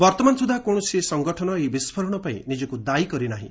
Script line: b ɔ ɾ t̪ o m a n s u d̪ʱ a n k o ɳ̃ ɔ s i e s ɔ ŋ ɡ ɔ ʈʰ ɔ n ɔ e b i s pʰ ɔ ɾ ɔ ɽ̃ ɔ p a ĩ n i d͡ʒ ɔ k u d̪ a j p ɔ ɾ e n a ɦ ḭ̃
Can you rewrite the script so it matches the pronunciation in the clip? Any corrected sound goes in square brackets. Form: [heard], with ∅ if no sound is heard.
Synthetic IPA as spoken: b ɔ ɾ t̪ [ɔ] m a n s u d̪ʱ a [∅] k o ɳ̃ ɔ s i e s ɔ ŋ ɡ ɔ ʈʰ ɔ n ɔ e b i s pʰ ɔ ɾ ɔ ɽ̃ ɔ p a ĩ n i d͡ʒ ɔ k u d̪ a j [k] ɔ ɾ [i] n a ɦ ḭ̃